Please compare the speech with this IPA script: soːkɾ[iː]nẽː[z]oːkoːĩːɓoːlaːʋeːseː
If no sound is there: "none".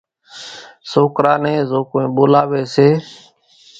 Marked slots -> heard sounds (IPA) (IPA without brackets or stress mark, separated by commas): aː, z